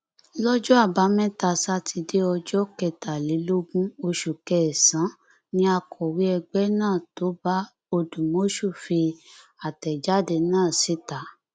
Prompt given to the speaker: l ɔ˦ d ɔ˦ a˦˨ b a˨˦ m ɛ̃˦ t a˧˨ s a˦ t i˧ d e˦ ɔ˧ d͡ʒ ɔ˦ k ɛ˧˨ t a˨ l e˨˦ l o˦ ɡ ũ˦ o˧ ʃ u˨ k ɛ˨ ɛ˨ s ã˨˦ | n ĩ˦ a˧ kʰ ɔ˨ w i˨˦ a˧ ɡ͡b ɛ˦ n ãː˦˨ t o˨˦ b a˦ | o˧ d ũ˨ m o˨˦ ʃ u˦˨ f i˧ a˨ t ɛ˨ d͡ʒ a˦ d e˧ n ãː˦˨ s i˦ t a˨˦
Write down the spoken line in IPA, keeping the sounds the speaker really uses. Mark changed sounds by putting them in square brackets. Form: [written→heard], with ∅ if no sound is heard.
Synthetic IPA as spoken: l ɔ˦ [d→d͡ʒ] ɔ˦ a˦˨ b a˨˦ m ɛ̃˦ t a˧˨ s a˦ t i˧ d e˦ ɔ˧ d͡ʒ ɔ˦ k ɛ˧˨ t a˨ l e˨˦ l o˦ ɡ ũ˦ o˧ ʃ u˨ k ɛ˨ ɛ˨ s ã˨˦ | n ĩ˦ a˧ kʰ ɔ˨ w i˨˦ [a˧→ɛ˧] ɡ͡b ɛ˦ n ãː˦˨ t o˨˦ b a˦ | o˧ d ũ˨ m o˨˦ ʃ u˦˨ f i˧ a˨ t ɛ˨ d͡ʒ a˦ d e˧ n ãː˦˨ s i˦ t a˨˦

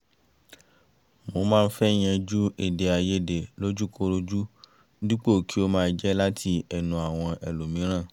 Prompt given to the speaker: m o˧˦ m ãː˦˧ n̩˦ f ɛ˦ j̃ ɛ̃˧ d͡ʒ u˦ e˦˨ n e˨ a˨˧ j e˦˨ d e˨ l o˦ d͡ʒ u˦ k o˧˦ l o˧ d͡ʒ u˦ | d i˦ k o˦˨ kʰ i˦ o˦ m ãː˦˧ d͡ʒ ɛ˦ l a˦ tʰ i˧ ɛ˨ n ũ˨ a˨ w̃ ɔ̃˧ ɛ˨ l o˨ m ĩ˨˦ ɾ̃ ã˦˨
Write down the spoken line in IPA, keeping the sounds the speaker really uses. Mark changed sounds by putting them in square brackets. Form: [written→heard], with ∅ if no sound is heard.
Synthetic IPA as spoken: m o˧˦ m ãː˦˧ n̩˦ f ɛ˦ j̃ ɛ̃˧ d͡ʒ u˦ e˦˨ [n→d] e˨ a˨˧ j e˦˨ d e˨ l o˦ d͡ʒ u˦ k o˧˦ [l→ɾ] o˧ d͡ʒ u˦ | d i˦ [k→k͡p] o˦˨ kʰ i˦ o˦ m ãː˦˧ d͡ʒ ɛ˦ l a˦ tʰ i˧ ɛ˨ n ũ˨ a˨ w̃ ɔ̃˧ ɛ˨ l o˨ m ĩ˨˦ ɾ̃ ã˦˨

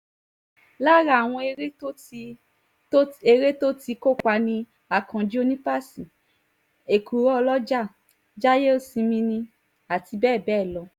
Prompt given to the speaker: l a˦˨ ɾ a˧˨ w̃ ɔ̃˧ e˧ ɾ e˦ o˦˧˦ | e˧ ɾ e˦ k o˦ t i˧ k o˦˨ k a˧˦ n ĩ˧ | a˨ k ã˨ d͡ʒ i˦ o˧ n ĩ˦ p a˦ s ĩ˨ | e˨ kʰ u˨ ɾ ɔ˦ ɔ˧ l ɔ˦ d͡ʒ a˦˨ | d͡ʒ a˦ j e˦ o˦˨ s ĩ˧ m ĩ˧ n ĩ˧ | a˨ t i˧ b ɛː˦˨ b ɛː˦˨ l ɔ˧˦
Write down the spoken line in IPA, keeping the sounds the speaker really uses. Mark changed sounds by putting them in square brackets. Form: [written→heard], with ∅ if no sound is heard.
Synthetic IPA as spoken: l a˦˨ ɾ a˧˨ w̃ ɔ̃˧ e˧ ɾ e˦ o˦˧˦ | e˧ ɾ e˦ [k→t] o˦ t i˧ k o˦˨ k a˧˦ n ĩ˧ | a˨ k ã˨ d͡ʒ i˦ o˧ n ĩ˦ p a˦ s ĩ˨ | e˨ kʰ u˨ ɾ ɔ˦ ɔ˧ l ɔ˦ d͡ʒ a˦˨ | d͡ʒ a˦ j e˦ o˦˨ s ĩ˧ m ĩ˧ n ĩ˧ | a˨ t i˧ b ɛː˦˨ b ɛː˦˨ l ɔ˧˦

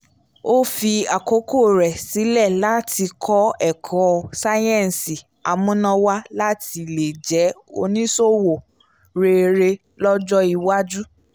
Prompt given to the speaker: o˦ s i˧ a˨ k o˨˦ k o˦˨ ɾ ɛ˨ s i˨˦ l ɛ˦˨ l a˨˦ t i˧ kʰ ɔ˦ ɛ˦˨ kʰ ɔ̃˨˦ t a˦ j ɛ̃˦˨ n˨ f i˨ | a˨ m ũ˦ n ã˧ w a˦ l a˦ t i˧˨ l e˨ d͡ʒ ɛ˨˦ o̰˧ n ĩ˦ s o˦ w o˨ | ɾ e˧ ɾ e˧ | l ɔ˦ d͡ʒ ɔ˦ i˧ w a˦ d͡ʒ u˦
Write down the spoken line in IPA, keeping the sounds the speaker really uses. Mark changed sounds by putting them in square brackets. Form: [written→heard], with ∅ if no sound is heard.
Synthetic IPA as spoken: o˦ [s→f] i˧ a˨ k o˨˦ k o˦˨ ɾ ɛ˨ s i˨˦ l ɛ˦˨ l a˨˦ t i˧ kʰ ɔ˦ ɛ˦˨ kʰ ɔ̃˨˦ [t→s] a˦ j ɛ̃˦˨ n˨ [f→s] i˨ | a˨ m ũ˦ n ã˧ w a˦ l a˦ t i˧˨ l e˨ d͡ʒ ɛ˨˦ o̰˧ n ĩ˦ s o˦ w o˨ | ɾ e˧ ɾ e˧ | l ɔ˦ d͡ʒ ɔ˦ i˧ w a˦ d͡ʒ u˦

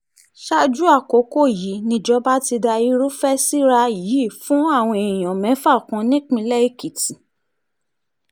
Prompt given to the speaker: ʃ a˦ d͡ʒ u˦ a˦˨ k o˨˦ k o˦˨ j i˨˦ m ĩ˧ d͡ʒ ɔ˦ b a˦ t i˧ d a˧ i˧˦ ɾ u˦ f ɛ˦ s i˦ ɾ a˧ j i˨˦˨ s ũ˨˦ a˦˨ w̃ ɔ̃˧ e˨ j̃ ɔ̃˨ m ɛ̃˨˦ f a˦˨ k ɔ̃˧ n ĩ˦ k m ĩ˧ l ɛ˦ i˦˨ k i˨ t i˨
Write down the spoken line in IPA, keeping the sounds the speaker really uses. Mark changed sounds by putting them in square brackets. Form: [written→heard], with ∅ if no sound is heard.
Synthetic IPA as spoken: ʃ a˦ d͡ʒ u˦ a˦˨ k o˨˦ k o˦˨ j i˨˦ [m→n] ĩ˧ d͡ʒ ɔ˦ b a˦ t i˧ d a˧ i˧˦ ɾ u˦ f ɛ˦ s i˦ ɾ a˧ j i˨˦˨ [s→f] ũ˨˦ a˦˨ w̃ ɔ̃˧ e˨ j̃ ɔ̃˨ m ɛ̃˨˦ f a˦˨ k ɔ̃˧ n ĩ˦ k m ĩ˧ l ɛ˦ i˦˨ k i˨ t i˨

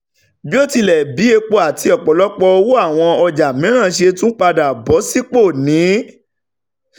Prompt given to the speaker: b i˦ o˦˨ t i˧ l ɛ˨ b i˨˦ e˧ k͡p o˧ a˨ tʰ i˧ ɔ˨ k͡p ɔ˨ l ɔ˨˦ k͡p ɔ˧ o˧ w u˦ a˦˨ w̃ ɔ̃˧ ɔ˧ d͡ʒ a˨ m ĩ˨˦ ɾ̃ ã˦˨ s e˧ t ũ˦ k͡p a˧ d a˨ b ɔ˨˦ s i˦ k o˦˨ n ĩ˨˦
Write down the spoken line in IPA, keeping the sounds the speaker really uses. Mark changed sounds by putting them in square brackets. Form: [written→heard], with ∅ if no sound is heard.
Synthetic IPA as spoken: b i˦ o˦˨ t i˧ l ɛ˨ b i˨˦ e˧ k͡p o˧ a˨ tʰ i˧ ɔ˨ k͡p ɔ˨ l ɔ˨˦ k͡p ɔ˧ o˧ w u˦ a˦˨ w̃ ɔ̃˧ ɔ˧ d͡ʒ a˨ m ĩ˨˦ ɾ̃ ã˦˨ [s→ʃ] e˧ t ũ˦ k͡p a˧ d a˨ b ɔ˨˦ s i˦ [k→k͡p] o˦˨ n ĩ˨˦

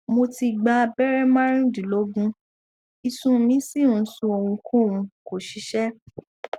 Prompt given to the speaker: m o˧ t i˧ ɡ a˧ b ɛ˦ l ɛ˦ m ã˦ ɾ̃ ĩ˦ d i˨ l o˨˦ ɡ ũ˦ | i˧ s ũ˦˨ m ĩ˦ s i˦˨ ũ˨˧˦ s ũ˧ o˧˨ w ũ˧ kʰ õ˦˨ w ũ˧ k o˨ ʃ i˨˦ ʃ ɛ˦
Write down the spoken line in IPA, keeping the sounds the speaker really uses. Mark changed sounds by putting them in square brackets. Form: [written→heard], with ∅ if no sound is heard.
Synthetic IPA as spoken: m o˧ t i˧ [ɡ→ɡ͡b] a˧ b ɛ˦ [l→ɾ] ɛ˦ m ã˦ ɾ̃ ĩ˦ d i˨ l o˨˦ ɡ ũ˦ | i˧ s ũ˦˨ m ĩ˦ s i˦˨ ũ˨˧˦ s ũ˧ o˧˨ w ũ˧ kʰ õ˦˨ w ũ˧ k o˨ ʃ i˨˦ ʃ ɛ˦

